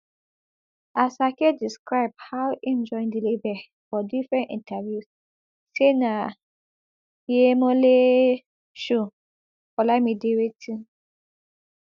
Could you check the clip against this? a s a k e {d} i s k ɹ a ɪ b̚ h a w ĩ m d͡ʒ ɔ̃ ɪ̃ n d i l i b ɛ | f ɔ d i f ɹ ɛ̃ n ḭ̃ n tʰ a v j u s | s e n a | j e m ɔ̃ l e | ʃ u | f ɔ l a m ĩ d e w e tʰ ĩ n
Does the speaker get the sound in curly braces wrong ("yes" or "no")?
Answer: no